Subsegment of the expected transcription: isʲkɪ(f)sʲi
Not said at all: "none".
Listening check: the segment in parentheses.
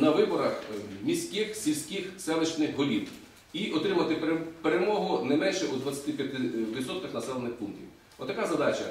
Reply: x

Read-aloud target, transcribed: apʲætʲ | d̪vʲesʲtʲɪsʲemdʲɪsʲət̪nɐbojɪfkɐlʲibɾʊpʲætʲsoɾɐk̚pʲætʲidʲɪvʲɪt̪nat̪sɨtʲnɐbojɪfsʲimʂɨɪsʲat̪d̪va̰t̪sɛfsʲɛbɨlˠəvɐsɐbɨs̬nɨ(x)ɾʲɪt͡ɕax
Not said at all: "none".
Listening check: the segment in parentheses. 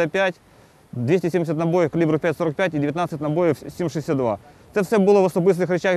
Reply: x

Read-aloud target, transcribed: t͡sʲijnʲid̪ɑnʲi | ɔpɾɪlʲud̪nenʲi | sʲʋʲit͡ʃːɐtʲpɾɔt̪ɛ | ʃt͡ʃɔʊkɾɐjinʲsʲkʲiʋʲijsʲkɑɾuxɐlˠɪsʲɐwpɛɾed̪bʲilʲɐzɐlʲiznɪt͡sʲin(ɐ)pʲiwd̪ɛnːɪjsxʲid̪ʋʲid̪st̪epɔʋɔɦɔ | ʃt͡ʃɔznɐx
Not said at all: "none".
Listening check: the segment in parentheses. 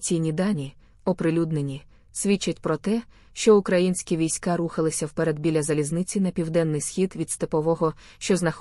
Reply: ɐ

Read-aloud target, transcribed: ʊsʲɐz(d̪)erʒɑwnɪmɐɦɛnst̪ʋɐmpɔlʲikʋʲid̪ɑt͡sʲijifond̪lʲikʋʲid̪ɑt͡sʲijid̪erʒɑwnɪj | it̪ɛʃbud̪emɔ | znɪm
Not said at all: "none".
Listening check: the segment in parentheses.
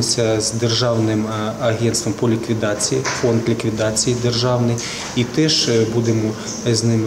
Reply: d̪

